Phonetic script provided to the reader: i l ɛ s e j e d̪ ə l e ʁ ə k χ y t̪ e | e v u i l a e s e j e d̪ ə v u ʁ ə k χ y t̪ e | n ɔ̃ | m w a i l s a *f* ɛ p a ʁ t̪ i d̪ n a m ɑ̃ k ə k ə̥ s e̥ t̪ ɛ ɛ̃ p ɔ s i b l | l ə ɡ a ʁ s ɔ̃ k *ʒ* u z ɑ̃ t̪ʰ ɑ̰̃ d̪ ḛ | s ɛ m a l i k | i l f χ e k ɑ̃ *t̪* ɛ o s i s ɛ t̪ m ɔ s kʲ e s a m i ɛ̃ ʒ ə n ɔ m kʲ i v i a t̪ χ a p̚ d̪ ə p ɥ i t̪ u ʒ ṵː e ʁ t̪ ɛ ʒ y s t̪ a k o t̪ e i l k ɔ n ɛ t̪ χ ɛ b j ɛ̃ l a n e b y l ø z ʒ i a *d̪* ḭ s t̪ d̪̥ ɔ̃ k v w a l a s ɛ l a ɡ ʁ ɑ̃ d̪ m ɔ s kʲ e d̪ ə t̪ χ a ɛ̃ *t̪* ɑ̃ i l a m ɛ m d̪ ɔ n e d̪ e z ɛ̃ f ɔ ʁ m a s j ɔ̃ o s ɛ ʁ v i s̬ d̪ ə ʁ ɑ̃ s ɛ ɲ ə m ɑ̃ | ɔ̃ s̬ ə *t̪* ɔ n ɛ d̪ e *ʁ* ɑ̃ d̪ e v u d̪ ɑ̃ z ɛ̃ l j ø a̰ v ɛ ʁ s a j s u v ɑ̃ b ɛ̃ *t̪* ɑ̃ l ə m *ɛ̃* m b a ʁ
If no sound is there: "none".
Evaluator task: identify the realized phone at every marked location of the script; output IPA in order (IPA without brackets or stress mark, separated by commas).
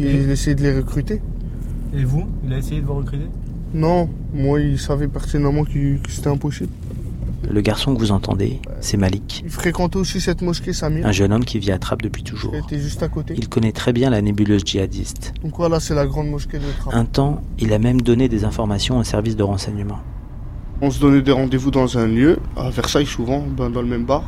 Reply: v, v, t̪, d̪, t̪, d̪, ʁ, d̪, ɛ